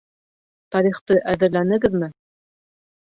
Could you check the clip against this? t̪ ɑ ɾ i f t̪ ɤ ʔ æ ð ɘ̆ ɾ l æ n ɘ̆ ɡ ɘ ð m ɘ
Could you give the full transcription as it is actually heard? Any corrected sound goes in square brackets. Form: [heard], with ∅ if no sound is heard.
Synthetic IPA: t̪ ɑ ɾ i [χ] t̪ ɤ ʔ æ ð ɘ̆ ɾ l æ n ɘ̆ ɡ ɘ ð m ɘ